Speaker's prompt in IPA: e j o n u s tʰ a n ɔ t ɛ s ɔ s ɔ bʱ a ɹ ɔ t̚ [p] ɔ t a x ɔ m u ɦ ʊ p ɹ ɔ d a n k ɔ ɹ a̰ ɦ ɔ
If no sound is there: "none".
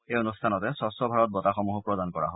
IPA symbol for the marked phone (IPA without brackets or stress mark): b